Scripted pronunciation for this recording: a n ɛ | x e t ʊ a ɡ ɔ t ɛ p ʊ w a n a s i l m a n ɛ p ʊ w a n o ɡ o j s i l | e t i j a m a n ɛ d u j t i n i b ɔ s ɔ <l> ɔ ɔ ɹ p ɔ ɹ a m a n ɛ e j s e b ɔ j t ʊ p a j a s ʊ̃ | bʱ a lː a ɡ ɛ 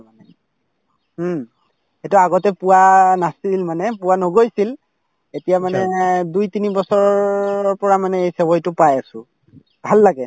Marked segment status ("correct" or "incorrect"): incorrect